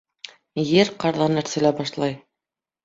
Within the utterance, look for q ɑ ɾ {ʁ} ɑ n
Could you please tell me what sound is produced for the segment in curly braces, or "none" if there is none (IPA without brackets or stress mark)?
ð